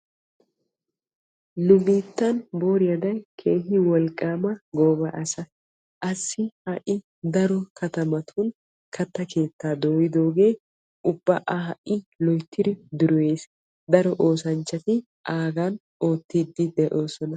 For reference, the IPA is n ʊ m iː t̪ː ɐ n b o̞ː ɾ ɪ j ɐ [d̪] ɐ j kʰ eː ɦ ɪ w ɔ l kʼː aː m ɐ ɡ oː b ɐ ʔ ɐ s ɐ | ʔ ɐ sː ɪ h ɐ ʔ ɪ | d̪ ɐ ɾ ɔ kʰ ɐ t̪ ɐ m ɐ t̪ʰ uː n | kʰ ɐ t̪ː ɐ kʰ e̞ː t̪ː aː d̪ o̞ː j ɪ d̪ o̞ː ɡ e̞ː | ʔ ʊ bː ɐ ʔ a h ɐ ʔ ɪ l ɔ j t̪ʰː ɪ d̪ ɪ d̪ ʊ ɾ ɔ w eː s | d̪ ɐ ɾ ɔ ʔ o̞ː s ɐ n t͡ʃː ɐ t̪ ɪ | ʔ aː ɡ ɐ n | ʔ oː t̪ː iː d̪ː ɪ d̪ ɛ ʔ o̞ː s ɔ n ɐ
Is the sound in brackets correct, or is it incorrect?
correct